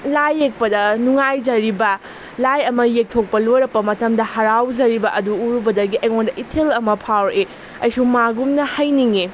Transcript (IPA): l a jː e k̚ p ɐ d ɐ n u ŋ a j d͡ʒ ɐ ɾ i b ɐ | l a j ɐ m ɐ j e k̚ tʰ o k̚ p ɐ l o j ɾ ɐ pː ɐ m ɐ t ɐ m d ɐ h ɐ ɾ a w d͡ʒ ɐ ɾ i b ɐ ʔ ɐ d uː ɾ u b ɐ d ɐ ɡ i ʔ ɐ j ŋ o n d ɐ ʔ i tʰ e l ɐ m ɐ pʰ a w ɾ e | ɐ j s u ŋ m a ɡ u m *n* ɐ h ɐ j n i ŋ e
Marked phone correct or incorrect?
correct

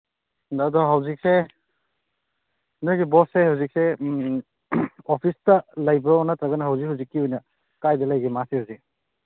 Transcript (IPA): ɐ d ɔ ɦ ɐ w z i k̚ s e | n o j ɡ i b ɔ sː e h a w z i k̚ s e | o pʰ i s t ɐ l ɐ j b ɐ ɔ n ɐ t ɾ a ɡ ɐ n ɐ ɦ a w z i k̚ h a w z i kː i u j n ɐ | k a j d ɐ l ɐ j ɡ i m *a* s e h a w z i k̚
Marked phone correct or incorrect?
correct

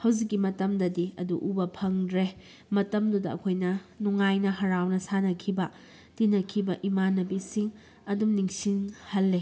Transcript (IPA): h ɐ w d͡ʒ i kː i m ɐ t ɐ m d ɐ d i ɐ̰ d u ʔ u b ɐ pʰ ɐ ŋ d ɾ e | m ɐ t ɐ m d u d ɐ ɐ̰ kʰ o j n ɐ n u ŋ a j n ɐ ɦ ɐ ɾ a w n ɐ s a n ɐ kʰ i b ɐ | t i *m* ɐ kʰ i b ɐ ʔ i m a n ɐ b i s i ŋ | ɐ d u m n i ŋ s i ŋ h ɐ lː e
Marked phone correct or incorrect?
incorrect: n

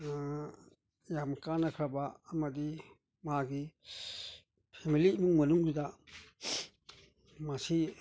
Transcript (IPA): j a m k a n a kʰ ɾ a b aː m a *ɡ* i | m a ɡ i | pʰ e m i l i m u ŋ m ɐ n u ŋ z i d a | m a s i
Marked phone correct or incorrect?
incorrect: d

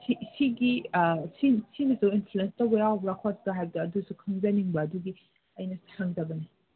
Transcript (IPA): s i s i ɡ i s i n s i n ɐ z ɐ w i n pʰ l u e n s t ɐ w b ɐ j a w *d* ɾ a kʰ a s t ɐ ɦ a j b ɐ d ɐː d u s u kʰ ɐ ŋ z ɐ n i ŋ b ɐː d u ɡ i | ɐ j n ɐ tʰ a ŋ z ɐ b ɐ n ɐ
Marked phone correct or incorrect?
incorrect: b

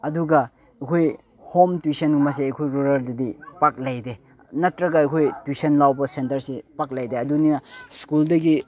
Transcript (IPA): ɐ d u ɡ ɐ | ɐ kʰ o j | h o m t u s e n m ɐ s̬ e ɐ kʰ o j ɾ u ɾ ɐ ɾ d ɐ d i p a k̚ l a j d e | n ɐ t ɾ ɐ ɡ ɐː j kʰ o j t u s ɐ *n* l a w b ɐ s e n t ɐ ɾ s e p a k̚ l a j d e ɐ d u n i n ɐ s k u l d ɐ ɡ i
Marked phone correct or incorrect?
correct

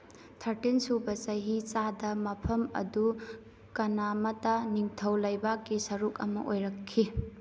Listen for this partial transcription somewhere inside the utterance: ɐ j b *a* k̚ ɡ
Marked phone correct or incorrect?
correct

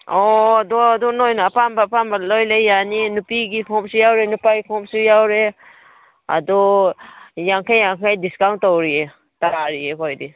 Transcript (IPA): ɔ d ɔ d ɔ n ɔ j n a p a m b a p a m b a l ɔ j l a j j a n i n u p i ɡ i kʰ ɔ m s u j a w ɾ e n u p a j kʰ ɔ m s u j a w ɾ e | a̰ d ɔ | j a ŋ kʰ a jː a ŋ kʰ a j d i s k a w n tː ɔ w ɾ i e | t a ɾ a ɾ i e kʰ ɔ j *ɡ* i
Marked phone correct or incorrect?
incorrect: d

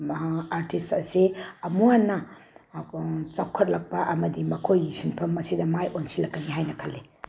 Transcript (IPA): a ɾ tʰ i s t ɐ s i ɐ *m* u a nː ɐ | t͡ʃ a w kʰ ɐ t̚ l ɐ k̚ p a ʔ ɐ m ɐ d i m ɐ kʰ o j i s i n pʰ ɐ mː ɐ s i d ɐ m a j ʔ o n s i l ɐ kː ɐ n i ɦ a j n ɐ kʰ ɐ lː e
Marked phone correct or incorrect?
correct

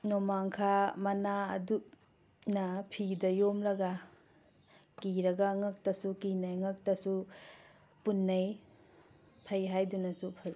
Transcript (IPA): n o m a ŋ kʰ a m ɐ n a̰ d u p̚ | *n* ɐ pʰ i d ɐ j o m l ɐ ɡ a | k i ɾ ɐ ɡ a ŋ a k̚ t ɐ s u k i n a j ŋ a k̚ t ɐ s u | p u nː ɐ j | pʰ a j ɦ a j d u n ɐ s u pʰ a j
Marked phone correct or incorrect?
correct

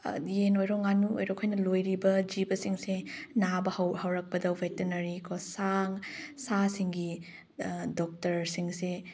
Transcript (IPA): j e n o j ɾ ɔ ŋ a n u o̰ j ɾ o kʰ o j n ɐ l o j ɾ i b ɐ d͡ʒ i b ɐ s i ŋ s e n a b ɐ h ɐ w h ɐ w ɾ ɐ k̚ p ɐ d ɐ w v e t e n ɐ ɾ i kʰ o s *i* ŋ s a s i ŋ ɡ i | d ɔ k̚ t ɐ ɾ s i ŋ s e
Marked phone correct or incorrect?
incorrect: a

